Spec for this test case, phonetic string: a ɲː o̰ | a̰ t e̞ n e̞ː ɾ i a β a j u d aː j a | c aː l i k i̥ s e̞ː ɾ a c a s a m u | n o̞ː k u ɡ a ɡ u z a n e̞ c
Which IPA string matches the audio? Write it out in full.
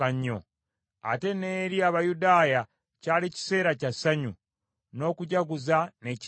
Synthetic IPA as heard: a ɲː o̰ | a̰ t e̞ n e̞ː ɾ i a β a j u d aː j a | c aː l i c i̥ s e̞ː ɾ a c a s a ɲ u | n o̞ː k u ɟ a ɡ u z a n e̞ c